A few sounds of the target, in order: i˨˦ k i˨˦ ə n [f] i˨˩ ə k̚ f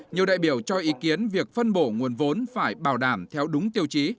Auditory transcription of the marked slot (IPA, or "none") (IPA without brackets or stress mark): v